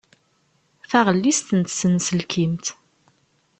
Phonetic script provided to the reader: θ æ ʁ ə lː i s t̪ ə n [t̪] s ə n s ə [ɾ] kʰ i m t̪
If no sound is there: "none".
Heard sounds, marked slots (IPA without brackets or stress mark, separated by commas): t̪, l